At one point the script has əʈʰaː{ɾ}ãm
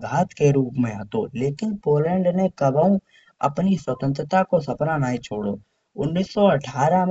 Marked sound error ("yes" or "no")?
no